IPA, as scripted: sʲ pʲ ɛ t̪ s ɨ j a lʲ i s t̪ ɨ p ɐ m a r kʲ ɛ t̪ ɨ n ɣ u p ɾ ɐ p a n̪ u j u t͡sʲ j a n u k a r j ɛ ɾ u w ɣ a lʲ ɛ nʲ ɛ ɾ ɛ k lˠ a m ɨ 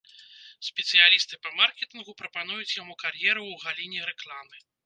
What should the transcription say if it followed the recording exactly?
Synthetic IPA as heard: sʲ pʲ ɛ t̪ s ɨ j a lʲ i s t̪ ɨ p ɐ m a r kʲ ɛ t̪ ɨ n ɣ u p ɾ ɐ p a n̪ u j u t͡sʲ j a m u k a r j ɛ ɾ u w ɣ a lʲ i nʲ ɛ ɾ ɛ k lˠ a m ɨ